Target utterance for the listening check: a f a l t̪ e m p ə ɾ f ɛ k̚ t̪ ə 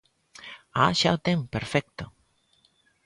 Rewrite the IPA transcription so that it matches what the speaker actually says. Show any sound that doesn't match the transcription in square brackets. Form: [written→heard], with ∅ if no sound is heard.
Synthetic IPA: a [f→ʃ] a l t̪ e m p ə ɾ f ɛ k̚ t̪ ə